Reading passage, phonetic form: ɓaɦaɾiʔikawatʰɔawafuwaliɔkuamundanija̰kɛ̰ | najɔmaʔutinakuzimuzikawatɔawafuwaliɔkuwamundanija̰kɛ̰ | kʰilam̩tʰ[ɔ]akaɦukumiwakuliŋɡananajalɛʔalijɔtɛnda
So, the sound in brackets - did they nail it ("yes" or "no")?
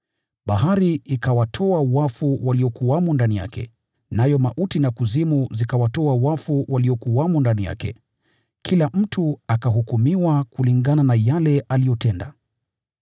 no